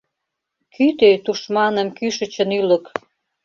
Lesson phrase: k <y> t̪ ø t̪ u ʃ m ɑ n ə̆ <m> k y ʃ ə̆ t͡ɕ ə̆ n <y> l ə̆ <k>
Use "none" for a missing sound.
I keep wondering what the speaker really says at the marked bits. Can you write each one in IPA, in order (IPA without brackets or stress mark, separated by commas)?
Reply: y, m, y, k